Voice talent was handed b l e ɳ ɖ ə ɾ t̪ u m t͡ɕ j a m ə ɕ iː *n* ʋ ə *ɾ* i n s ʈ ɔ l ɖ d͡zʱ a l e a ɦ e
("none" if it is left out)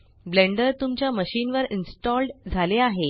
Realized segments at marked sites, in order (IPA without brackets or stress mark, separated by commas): n, ɾ